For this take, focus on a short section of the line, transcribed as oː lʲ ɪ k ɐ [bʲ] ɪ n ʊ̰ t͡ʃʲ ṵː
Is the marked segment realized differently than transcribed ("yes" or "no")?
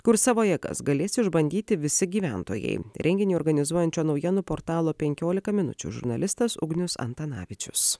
yes